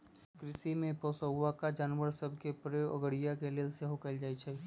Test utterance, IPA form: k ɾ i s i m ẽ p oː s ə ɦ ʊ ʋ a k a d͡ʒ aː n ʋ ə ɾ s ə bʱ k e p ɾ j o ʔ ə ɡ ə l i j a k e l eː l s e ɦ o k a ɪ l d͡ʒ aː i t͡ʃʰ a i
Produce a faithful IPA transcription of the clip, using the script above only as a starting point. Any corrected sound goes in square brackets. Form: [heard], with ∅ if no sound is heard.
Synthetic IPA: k ɾ [ɪ] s i m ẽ p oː s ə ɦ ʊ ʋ a k a d͡ʒ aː n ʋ ə ɾ s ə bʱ k e p ɾ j o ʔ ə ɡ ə [ɽ] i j a k e l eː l s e ɦ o k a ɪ l d͡ʒ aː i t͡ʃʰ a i

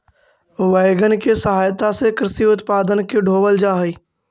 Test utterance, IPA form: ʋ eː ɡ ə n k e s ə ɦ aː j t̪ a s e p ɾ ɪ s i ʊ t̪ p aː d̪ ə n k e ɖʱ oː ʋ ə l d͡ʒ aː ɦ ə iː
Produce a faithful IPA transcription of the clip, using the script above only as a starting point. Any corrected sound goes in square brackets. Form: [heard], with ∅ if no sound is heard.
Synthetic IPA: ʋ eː ɡ ə n k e s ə ɦ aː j t̪ a s e [k] ɾ ɪ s i ʊ t̪ p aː d̪ ə n k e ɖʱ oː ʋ ə l d͡ʒ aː ɦ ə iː

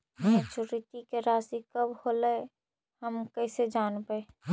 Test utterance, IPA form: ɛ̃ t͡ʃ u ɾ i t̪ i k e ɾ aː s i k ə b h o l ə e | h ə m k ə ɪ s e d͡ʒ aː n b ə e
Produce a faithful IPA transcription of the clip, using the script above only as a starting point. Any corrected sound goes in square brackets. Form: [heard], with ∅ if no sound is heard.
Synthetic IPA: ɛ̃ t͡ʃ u ɾ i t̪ i k e ɾ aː s i k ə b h o l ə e | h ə m k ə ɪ s e d͡ʒ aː n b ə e

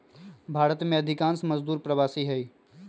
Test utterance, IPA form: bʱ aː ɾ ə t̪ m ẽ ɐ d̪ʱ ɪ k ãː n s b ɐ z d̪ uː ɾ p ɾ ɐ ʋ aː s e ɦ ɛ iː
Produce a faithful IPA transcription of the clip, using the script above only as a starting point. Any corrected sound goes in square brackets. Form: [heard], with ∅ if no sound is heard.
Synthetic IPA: bʱ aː ɾ ə t̪ m ẽ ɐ d̪ʱ ɪ k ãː n s [m] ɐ z d̪ uː ɾ p ɾ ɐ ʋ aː s [i] ɦ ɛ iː

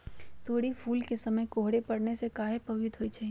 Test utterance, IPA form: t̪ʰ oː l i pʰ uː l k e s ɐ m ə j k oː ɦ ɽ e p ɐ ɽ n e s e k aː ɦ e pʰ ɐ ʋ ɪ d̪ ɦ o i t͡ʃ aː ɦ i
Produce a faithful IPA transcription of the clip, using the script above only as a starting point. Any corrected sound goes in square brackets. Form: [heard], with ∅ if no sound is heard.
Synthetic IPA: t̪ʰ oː [ɽ] i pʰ uː l k e s ɐ m ə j k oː ɦ ɽ e p ɐ ɽ n e s e k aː ɦ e [p] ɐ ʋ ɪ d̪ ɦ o i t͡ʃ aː ɦ i

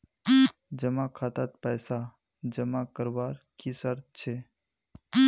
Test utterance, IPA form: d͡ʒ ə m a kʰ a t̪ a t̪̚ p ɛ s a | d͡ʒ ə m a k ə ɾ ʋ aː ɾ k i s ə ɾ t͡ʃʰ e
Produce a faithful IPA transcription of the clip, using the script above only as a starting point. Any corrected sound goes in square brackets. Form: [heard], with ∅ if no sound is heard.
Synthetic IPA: d͡ʒ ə m a kʰ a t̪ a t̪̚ p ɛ s a | d͡ʒ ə m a k ə ɾ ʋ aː ɾ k i s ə ɾ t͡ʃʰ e

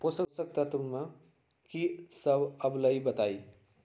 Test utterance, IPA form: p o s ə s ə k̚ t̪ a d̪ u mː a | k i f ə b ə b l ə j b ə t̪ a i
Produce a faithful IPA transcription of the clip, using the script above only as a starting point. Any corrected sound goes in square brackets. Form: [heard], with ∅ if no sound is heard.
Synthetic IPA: p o s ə s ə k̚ t̪ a [t̪] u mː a | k i [s] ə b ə b l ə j b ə t̪ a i

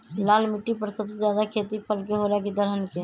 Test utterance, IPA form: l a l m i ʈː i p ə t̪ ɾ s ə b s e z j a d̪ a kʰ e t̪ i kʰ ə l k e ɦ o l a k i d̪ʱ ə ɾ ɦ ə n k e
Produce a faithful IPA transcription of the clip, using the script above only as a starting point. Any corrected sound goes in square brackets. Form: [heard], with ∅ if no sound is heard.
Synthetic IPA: l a l m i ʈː i p ə [∅] ɾ s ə b s e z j a d̪ a kʰ e t̪ i [pʰ] ə l k e ɦ o l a k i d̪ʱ ə ɾ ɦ ə n k e

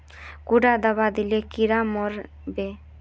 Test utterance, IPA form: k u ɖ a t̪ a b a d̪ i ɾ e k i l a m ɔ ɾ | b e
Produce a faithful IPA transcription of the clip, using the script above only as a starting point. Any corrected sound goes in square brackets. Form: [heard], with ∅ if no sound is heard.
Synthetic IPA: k u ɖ a [d̪] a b a d̪ i [l] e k i [ɾ] a m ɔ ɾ | b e

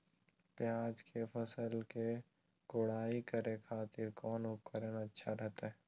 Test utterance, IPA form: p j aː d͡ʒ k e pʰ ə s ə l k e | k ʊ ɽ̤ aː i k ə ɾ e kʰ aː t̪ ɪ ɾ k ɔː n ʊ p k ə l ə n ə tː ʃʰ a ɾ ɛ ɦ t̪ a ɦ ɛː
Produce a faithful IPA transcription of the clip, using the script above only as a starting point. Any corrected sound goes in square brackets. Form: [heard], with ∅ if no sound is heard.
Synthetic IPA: p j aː d͡ʒ k e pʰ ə s ə l k e | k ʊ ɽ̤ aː i k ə ɾ e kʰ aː t̪ ɪ ɾ k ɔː n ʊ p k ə [ɾ] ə n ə tː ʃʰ a ɾ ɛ ɦ t̪ a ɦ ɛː

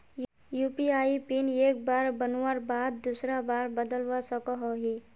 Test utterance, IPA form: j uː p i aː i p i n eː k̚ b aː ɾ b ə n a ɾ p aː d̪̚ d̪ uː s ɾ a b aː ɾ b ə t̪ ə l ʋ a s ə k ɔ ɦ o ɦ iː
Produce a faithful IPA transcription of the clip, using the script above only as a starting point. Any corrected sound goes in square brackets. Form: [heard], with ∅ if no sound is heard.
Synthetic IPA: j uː p i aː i p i n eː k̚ b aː ɾ b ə n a ɾ [b] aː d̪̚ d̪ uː s ɾ a b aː ɾ b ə [d̪] ə l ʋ a s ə k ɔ ɦ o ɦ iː

